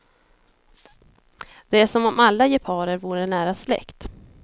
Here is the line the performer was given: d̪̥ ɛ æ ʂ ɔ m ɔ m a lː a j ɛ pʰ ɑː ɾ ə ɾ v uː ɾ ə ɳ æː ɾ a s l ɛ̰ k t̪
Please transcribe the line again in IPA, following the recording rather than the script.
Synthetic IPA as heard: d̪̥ ɛ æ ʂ ɔ m ɔ m a lː a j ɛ pʰ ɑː ɾ ə ɾ v uː ɾ ə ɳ æː ɾ a s l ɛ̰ k t̪